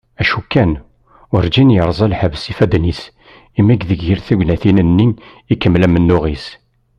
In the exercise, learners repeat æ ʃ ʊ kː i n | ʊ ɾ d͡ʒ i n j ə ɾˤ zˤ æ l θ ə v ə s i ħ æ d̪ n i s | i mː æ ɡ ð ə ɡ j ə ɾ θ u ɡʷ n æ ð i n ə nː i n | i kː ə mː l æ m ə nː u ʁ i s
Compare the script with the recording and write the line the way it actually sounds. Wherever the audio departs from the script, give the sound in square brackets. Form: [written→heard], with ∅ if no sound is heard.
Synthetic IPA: æ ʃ [ʊ→u] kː [i→æ] n | ʊ ɾ d͡ʒ i n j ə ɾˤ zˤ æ l [θ→ħ] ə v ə s i [ħ→f] æ d̪ n i s | i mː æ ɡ ð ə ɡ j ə ɾ θ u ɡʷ n æ [ð→θ] i n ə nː i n | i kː ə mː l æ m ə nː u ʁ i s